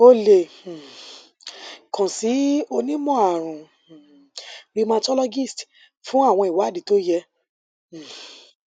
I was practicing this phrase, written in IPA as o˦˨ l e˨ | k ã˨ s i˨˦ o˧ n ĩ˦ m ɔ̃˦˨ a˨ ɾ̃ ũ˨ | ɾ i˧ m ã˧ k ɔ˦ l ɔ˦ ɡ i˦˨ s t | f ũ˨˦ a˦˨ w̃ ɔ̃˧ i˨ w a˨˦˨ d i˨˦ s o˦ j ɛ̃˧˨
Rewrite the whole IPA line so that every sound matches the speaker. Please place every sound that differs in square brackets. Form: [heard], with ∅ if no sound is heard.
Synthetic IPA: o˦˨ l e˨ | k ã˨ s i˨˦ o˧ n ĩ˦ m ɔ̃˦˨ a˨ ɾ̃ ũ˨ | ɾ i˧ m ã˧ [t] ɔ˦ l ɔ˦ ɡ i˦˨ s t | f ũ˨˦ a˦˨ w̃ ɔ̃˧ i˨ w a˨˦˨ d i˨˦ [t] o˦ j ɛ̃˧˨